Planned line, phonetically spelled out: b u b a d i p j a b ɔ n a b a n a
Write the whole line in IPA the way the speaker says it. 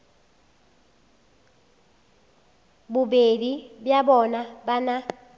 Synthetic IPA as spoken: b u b e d i b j a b ɔ n a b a n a